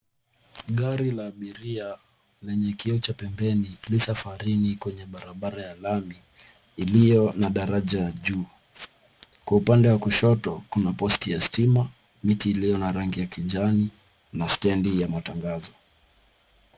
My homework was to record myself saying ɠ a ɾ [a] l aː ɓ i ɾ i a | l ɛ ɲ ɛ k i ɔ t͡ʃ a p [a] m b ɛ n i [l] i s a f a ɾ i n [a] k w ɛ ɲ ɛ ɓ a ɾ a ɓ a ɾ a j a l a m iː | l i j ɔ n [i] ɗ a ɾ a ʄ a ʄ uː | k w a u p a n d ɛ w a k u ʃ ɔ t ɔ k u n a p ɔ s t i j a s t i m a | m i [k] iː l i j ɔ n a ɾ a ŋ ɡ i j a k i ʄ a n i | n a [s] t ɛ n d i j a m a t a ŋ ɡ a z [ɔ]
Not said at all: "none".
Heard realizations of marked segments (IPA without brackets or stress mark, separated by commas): i, ɛ, l, i, a, t, s, ɔ